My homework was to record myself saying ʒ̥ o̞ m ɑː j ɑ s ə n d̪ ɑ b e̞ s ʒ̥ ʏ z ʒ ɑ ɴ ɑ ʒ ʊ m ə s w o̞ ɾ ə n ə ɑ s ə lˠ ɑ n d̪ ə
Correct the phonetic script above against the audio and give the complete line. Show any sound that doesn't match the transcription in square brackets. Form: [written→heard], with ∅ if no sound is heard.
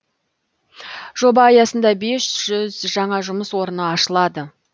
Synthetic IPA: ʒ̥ o̞ [m→b] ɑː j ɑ s ə n d̪ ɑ b e̞ s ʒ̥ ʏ z ʒ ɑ ɴ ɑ ʒ ʊ m ə s w o̞ ɾ ə n ə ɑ [s→ʃ] ə lˠ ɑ [n→∅] d̪ ə

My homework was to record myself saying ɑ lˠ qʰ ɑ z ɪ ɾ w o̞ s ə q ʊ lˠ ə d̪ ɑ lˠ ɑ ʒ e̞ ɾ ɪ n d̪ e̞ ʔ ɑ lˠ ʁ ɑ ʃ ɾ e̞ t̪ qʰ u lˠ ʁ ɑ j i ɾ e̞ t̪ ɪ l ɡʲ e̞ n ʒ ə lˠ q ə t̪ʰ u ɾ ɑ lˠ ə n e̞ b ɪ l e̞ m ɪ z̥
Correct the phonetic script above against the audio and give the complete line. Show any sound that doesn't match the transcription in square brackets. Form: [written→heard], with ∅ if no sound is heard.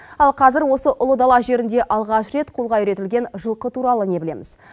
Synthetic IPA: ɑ lˠ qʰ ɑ z ɪ ɾ w o̞ s ə [q→ʔ] ʊ lˠ ə d̪ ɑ lˠ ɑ ʒ e̞ ɾ ɪ n d̪ e̞ ʔ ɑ lˠ ʁ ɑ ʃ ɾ e̞ t̪ qʰ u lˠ ʁ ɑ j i ɾ e̞ t̪ ɪ l ɡʲ e̞ n ʒ ə lˠ q ə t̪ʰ u ɾ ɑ lˠ ə n e̞ b ɪ l e̞ m ɪ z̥

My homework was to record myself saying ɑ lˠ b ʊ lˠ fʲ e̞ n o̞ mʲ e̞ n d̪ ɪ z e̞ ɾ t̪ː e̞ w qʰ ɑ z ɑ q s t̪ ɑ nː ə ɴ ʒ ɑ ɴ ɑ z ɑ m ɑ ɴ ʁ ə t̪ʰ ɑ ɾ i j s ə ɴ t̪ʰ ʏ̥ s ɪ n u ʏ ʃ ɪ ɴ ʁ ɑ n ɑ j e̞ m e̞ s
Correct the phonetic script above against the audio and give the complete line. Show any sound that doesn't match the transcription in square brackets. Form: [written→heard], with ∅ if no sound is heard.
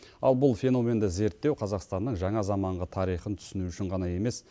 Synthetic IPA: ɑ lˠ b ʊ lˠ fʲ e̞ n o̞ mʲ e̞ n d̪ ɪ z e̞ ɾ t̪ː e̞ w qʰ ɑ z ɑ q s t̪ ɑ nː ə ɴ ʒ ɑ ɴ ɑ z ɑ m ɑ ɴ ʁ ə t̪ʰ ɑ ɾ i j [s→χ] ə [ɴ→n] t̪ʰ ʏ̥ s ɪ n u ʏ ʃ ɪ ɴ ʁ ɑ n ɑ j e̞ m e̞ s

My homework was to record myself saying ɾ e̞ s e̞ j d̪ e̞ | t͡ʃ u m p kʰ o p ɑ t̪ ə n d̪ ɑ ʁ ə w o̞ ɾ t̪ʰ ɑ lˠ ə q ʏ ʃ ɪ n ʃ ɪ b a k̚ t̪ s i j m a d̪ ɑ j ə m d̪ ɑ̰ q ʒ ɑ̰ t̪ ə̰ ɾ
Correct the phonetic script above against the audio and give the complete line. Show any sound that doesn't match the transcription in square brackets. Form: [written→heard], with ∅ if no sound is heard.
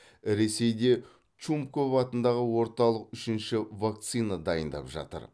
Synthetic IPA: ɾ e̞ s e̞ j d̪ e̞ | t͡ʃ u m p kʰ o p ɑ t̪ ə n d̪ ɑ ʁ ə w o̞ ɾ [t̪ʰ→t̪] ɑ lˠ ə q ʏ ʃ ɪ n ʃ ɪ [b→v] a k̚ t̪ s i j [m→n] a d̪ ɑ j ə [m→n] d̪ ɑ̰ [q→p] ʒ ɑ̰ t̪ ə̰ ɾ

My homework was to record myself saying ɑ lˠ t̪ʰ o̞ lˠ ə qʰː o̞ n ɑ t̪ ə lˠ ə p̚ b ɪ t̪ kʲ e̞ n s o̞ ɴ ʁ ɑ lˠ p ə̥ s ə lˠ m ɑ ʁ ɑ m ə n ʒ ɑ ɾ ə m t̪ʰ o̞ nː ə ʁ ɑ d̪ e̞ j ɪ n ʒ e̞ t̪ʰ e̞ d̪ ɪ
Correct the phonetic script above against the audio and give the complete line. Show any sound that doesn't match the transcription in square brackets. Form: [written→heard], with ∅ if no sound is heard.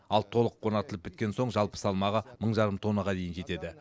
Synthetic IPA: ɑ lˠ t̪ʰ o̞ lˠ ə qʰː o̞ n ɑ t̪ ə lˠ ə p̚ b ɪ t̪ kʲ e̞ n s o̞ ɴ [ʁ→ʒ] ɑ lˠ p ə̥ s [ə→ɑ] lˠ m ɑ ʁ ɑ m ə [n→ɴ] ʒ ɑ ɾ ə m t̪ʰ o̞ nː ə ʁ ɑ d̪ e̞ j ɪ n ʒ e̞ [t̪ʰ→t̪] e̞ d̪ ɪ

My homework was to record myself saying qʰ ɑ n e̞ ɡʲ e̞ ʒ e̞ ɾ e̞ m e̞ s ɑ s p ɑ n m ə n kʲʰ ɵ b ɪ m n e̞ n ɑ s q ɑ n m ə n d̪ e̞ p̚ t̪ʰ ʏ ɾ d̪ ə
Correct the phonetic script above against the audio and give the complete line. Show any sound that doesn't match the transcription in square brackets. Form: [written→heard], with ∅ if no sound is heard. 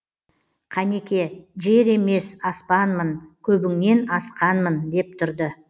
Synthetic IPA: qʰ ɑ n e̞ [ɡʲ→kʲ] e̞ ʒ e̞ ɾ e̞ m e̞ s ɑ s p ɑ n m ə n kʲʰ ɵ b ɪ [m→ŋ] n e̞ n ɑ s q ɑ n m ə n d̪ e̞ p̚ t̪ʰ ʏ ɾ d̪ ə

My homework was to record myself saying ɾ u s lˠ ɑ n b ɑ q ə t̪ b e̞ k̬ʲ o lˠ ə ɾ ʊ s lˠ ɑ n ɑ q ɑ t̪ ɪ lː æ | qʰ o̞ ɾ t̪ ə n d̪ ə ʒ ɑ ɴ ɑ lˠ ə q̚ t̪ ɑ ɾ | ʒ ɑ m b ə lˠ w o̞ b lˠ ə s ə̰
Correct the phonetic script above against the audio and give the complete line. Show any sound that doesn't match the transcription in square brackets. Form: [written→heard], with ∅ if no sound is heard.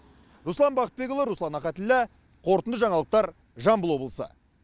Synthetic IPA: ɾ u s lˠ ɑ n b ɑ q ə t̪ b e̞ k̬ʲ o lˠ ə ɾ [ʊ→u] s lˠ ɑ n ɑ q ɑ t̪ ɪ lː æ | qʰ o̞ ɾ t̪ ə n d̪ ə ʒ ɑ ɴ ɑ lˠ ə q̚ t̪ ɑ ɾ | ʒ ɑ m b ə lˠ w o̞ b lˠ ə s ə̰

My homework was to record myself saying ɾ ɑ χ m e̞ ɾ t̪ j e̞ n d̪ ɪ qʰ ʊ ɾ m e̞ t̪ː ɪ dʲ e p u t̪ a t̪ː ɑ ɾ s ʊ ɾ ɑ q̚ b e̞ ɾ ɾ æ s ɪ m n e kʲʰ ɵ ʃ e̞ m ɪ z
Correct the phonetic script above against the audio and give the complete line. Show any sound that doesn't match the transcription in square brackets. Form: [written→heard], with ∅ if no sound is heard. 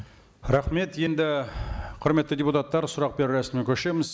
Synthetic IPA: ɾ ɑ χ m e̞ [ɾ→∅] t̪ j e̞ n d̪ ɪ qʰ ʊ ɾ m e̞ t̪ː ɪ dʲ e p u t̪ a t̪ː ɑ ɾ s ʊ ɾ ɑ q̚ b e̞ ɾ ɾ æ s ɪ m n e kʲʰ ɵ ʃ e̞ m ɪ z

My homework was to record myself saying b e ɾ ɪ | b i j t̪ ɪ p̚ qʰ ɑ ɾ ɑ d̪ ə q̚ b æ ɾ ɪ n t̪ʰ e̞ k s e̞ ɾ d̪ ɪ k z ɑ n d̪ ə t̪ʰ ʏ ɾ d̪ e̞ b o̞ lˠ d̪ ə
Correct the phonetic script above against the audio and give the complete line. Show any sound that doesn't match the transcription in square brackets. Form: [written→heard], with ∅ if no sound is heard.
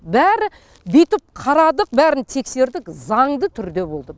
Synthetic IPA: b [e→æ] ɾ ɪ | b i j t̪ ɪ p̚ qʰ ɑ ɾ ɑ d̪ ə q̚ b æ ɾ ɪ n t̪ʰ e̞ k s e̞ ɾ d̪ ɪ k z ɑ [n→ɴ] d̪ ə t̪ʰ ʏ ɾ d̪ e̞ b o̞ lˠ d̪ ə

